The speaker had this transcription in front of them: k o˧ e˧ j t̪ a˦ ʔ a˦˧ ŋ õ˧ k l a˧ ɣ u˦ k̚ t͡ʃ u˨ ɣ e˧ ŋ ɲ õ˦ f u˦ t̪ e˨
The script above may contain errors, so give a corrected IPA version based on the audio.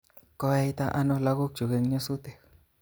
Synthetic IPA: k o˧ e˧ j t̪ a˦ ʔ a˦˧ n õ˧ l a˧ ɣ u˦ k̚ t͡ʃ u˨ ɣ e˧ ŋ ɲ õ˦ s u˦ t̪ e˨